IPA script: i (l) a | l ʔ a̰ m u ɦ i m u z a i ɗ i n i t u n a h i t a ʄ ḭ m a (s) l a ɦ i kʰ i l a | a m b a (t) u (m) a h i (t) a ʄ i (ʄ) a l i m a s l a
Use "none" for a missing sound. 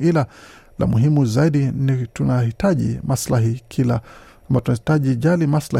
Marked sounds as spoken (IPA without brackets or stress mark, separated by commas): l, s, t, n, t, ʄ